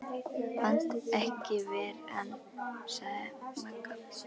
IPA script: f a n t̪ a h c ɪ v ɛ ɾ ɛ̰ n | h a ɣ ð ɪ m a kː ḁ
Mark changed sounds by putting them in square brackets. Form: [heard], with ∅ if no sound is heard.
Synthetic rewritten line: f a n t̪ [ɛ] h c ɪ v [ɛː] ɾ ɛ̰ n | [s] a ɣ ð ɪ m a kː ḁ